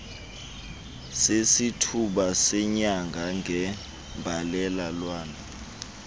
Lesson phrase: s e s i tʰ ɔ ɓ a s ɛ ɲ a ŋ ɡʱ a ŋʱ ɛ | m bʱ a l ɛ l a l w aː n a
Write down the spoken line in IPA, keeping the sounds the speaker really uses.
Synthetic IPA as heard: s e s i tʰ u ɓ a s ɛ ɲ a ŋ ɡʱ a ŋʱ ɛ | m bʱ a l ɛ l a l w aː n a